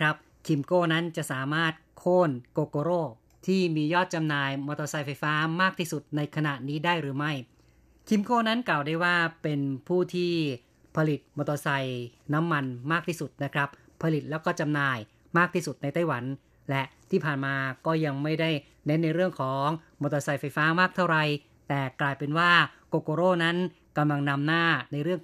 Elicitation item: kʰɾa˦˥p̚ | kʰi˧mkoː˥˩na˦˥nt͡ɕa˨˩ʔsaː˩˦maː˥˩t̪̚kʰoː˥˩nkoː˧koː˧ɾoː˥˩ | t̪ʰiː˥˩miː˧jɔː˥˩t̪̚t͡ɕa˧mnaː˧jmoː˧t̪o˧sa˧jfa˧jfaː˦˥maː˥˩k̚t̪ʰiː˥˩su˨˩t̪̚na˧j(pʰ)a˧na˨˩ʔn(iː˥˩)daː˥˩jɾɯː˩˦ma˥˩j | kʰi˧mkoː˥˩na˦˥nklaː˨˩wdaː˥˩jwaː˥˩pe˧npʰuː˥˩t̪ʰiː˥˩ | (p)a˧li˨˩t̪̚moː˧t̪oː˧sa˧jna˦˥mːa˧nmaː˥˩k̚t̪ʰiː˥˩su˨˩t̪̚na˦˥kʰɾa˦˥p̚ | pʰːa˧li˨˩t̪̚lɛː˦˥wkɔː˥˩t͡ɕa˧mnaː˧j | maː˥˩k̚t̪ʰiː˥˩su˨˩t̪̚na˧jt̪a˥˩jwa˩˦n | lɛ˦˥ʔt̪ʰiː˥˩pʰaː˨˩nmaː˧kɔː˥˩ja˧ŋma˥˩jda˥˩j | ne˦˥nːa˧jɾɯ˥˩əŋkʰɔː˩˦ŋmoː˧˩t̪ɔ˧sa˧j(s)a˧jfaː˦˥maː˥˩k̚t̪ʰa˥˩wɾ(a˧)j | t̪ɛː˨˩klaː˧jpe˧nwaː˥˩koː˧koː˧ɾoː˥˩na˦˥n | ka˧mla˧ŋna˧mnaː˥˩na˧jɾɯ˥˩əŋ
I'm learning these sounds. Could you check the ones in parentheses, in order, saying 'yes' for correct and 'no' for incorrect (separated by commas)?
no, no, no, no, yes